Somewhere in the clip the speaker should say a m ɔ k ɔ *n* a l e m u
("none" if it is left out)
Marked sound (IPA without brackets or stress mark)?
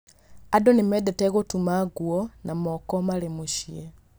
m